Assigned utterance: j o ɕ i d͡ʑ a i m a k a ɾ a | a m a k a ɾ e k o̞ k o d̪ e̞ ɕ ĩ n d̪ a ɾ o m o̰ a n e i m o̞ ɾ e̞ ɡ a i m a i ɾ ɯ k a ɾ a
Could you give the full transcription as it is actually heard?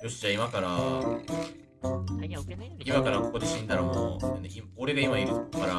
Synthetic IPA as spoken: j o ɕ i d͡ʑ a i m a k a ɾ a | i m a k a ɾ a k o̞ k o d̪ e̞ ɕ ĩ n d̪ a ɾ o m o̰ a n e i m o̞ ɾ e̞ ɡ a i m a i ɾ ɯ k a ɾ a